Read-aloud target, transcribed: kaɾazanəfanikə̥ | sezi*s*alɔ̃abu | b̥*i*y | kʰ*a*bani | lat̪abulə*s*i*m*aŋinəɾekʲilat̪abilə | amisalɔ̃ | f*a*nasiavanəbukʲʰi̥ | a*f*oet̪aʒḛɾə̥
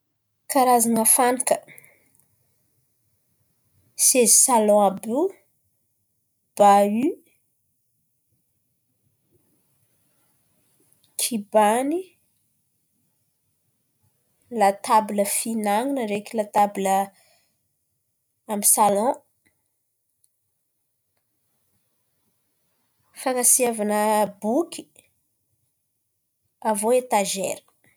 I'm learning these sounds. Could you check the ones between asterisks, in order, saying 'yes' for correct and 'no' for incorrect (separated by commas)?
yes, no, no, no, no, yes, no